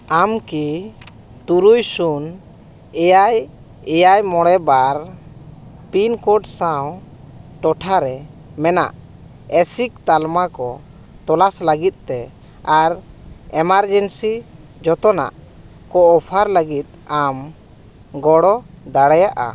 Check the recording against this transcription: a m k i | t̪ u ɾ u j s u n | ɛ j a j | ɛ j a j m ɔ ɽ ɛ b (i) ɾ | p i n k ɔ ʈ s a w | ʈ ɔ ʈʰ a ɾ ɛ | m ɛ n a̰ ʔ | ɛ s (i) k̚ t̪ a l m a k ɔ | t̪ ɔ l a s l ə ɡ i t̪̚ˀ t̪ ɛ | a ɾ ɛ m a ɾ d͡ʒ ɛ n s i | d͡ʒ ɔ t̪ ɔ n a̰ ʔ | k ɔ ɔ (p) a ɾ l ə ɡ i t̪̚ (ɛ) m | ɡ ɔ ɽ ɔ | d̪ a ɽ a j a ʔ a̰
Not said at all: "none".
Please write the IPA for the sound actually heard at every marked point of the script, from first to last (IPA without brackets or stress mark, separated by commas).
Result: a, i, pʰ, a